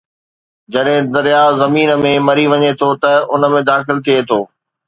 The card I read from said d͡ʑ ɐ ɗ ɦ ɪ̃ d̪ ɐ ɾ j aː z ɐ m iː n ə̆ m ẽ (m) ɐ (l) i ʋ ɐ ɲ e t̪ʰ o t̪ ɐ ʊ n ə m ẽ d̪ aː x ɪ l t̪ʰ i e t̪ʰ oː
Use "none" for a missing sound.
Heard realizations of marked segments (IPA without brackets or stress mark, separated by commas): m, ɾ